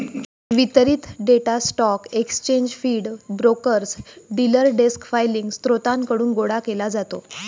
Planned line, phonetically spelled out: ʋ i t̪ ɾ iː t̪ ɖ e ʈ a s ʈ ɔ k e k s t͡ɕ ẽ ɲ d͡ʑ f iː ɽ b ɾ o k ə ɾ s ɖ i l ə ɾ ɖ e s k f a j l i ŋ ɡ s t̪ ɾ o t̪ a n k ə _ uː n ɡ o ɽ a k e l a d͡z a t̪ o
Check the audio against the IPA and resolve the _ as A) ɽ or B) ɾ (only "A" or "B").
A